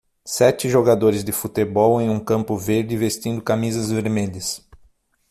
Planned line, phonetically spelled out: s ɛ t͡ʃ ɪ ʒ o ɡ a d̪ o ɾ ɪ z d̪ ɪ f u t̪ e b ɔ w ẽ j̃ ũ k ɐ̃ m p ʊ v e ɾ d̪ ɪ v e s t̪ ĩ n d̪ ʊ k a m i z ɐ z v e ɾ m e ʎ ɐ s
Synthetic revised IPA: s ɛ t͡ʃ ɪ ʒ o ɡ a d̪ o ɾ ɪ z d̪ ɪ f u t̪ e b ɔ w ẽ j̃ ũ k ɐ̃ m p ʊ v e ɾ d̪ ɪ v e s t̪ ĩ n d̪ ʊ k a m i z ɐ z v e ɾ m e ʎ ɐ s